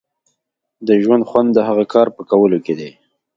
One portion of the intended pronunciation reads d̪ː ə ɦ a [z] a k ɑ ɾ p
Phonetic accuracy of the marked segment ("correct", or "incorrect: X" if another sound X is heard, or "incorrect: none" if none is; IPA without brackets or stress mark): incorrect: ɣ